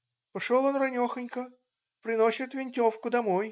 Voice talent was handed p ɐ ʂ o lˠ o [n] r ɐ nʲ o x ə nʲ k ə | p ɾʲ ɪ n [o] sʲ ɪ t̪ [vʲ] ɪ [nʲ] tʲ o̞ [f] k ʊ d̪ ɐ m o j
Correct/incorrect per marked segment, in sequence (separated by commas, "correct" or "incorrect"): correct, correct, correct, correct, correct